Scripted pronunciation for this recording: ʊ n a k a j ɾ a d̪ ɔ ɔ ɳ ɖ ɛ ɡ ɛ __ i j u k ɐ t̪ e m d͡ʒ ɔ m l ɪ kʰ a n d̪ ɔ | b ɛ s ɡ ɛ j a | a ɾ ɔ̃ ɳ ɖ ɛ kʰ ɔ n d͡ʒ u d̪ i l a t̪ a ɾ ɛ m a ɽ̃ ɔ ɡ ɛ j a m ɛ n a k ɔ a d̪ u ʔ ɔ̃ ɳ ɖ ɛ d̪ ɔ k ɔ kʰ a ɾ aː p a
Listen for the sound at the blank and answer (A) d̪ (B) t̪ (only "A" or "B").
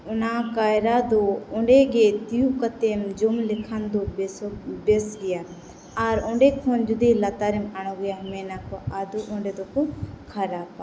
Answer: B